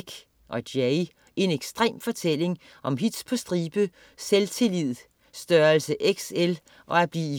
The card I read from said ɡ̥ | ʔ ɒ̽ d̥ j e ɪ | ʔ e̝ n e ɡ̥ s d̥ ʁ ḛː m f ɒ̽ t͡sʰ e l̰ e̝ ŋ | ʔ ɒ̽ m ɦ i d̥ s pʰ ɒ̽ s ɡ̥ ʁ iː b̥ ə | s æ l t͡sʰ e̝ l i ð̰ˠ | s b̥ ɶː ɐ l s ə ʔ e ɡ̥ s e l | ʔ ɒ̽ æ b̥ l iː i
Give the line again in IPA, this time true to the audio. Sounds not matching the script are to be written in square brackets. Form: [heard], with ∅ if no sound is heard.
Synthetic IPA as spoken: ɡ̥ | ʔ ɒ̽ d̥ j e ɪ | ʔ e̝ n e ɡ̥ s d̥ ʁ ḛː m f ɒ̽ t͡sʰ e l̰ e̝ ŋ | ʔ ɒ̽ m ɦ i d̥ s pʰ ɒ̽ s [d̥] ʁ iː b̥ ə | s [e] l t͡sʰ e̝ l i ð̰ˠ | s [d̥] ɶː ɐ l s ə ʔ e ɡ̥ s e l | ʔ ɒ̽ æ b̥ l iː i